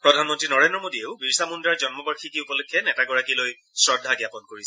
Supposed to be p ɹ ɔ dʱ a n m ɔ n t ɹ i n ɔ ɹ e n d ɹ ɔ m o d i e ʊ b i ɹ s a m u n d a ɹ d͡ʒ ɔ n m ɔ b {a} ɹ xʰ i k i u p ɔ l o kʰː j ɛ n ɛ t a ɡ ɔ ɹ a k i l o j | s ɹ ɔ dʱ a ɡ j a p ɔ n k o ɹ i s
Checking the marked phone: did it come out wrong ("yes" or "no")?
no